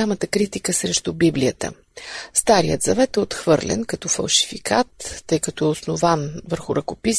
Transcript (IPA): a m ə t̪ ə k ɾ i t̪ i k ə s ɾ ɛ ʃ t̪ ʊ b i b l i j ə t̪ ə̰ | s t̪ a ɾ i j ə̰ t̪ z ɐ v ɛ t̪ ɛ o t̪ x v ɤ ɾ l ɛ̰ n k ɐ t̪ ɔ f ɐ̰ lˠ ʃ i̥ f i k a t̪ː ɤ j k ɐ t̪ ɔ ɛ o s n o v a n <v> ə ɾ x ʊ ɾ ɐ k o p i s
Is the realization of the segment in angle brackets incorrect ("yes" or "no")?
no